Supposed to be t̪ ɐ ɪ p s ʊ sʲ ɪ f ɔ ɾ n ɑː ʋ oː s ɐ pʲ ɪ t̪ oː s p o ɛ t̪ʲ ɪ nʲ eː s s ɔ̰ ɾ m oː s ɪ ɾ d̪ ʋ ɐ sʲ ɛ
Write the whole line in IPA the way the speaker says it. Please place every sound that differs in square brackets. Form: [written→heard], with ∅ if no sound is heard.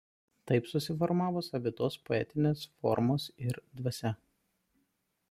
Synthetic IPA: t̪ ɐ ɪ p s ʊ sʲ ɪ f ɔ ɾ [n→m] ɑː ʋ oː s ɐ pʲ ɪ t̪ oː s p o ɛ t̪ʲ ɪ nʲ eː s [s→f] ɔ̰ ɾ m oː s ɪ ɾ d̪ ʋ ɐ sʲ ɛ